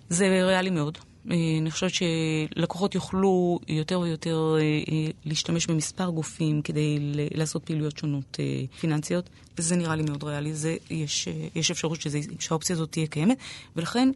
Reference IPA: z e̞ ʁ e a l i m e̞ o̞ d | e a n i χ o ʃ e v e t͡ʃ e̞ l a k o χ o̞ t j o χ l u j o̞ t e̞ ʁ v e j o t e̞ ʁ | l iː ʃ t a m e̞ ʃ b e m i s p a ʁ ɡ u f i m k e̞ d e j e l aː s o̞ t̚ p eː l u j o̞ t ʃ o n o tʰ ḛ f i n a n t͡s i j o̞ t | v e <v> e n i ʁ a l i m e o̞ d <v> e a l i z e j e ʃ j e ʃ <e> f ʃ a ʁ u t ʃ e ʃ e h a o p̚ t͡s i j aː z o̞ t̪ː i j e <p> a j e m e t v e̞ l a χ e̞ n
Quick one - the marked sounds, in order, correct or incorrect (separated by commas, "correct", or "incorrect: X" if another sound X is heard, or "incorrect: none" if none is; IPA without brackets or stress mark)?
incorrect: z, incorrect: ʁ, correct, incorrect: k